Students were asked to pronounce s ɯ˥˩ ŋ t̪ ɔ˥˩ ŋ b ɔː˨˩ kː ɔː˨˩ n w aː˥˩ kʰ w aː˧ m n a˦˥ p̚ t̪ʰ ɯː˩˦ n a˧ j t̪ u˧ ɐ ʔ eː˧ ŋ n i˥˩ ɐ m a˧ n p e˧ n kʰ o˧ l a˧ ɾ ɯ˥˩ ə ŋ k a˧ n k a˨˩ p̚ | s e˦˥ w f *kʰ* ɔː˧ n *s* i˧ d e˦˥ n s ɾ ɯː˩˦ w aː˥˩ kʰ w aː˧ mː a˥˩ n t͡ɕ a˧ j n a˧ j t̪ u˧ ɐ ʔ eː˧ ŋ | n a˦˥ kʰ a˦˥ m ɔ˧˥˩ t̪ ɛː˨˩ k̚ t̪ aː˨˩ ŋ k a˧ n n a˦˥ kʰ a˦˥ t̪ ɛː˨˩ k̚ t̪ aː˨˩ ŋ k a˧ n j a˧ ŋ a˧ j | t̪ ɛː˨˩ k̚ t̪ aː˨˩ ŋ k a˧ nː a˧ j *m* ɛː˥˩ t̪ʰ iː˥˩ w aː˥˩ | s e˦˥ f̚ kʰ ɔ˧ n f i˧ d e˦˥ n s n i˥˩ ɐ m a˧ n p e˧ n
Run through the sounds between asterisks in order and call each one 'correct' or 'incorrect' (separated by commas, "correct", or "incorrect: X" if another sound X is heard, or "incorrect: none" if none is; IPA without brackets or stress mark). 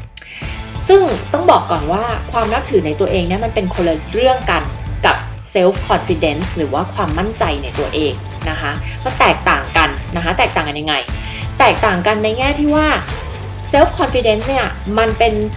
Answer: correct, incorrect: f, incorrect: ŋ